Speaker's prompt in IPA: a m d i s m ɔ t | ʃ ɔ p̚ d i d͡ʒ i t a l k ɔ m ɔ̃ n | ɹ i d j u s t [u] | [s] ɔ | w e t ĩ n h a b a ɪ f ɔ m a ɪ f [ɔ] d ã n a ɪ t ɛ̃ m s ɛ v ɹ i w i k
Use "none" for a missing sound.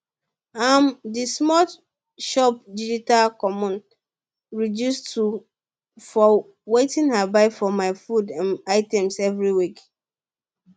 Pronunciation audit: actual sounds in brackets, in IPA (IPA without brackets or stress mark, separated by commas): u, f, u